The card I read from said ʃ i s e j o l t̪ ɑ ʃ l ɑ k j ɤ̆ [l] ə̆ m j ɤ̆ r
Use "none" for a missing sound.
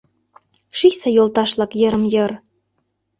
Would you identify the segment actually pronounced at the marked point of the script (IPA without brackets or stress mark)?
ɾ